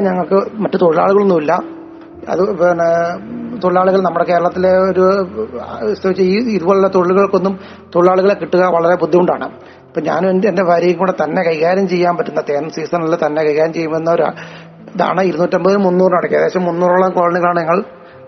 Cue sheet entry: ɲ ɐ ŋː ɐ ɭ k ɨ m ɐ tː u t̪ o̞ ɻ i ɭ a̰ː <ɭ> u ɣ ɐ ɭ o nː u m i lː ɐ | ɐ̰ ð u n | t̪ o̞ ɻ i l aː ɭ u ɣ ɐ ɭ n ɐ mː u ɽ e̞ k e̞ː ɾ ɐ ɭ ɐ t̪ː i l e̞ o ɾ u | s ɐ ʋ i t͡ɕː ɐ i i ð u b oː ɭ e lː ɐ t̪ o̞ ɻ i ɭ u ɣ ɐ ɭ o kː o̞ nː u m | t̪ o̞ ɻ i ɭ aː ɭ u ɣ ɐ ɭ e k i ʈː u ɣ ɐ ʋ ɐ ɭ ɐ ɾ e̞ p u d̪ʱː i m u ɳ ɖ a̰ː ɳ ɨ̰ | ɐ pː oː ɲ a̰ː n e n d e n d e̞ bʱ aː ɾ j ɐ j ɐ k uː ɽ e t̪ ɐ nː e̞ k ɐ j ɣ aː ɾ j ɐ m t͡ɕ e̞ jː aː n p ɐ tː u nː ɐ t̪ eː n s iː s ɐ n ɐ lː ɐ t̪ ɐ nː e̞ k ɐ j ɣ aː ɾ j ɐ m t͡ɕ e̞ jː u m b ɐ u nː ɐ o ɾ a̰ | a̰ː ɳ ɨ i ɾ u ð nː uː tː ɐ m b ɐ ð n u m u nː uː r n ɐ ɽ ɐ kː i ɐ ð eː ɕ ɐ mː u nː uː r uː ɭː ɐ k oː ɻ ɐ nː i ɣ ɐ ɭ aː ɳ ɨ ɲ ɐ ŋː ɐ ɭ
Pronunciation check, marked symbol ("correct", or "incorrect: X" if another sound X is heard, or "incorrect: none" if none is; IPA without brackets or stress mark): correct